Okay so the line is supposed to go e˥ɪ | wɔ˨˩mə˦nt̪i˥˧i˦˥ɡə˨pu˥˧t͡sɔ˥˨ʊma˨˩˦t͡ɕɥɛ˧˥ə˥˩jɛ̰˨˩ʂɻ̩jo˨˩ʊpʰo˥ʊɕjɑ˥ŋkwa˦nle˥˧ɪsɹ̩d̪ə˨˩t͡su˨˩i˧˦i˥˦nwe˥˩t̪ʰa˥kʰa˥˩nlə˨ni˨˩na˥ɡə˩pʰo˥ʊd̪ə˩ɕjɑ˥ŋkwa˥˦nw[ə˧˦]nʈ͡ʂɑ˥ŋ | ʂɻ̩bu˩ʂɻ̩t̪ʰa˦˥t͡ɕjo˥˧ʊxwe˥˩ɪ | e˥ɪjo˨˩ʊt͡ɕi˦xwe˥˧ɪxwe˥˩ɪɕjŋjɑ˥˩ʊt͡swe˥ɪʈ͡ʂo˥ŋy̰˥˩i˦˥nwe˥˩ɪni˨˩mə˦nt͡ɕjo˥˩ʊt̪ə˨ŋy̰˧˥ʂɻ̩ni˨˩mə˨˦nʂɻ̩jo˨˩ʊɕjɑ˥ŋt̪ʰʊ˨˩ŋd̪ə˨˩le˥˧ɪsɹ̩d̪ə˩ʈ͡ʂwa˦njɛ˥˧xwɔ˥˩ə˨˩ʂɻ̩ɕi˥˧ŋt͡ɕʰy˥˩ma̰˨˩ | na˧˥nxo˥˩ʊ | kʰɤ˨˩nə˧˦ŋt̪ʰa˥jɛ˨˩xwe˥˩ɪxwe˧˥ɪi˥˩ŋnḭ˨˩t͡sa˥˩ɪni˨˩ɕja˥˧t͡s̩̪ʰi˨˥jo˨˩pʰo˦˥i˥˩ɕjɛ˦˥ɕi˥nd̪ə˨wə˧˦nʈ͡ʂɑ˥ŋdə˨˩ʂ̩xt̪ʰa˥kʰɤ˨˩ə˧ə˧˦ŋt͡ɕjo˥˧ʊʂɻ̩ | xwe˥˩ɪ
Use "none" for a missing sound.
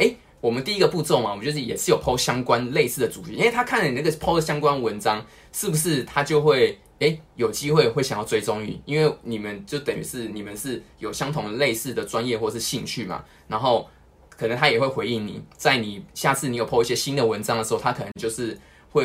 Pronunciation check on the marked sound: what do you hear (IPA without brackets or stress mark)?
ə˧˦